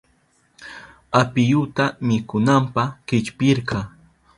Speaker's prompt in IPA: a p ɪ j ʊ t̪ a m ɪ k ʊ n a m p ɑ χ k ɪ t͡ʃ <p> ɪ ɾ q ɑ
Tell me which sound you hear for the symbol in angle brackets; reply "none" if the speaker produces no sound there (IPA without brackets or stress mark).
p